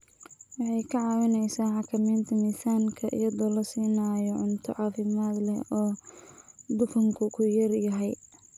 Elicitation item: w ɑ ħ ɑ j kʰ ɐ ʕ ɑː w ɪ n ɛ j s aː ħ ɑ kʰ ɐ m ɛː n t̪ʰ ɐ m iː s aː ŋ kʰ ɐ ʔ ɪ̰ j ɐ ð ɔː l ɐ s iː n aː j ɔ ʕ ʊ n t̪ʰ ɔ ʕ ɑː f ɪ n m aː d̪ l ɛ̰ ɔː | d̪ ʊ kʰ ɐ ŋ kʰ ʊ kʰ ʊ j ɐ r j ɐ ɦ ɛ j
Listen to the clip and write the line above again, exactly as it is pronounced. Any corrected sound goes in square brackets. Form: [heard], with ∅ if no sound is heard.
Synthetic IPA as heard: w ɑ ħ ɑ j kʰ ɐ ʕ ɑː w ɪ n ɛ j s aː ħ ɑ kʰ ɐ m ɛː n t̪ʰ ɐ m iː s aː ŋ kʰ ɐ ʔ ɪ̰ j ɐ ð ɔː l ɐ s iː n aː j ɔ ʕ ʊ n t̪ʰ ɔ ʕ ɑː f ɪ [∅] m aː d̪ l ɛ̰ ɔː | d̪ ʊ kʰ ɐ ŋ kʰ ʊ kʰ ʊ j ɐ r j ɐ ɦ ɛ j